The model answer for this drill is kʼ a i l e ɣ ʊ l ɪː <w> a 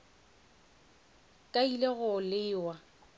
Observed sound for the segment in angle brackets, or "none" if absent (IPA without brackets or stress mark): w